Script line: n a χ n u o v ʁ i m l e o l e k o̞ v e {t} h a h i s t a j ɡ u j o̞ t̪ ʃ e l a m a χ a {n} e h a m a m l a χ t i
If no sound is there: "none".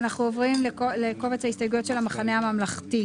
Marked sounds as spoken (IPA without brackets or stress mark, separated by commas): t͡s, n